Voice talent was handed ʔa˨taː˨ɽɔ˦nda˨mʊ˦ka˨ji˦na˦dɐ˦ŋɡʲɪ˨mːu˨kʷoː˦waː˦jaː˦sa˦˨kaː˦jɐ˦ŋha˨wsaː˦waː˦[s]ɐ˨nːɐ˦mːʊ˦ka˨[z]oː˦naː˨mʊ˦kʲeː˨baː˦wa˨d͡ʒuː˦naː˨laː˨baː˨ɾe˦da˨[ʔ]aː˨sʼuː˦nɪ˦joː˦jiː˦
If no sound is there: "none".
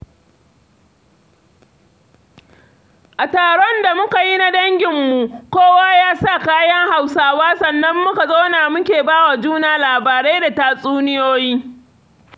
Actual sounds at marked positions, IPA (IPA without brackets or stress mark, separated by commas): s, z, t